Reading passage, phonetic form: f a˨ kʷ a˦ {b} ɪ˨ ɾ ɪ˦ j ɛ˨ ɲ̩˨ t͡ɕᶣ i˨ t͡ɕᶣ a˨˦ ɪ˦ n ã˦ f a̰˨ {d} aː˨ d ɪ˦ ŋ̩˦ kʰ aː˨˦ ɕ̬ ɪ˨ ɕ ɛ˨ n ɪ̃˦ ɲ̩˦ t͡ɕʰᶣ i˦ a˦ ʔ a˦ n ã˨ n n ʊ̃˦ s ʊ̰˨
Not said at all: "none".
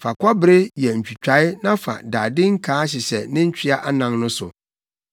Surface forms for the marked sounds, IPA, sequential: b, d

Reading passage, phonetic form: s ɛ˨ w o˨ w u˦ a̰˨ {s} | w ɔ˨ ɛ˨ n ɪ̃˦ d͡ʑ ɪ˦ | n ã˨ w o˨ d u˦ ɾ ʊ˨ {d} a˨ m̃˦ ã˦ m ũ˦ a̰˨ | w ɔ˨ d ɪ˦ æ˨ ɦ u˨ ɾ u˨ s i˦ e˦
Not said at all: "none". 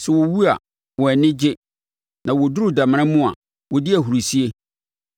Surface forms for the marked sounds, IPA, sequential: none, d

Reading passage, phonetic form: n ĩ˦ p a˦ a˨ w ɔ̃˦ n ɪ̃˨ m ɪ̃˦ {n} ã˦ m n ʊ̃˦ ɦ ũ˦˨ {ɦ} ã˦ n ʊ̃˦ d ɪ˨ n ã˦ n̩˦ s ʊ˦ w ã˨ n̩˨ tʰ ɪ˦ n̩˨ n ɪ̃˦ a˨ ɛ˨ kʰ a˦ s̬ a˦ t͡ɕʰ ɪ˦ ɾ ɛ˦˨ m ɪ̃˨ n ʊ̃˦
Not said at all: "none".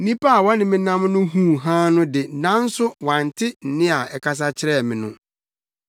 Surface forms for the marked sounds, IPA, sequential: n, ɦ

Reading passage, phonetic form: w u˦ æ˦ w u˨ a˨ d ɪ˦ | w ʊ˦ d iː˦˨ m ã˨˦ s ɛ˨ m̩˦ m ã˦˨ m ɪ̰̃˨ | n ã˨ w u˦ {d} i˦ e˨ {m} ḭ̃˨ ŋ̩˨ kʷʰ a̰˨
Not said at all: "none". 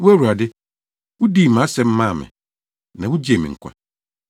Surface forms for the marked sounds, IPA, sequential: d͡ʑ, m

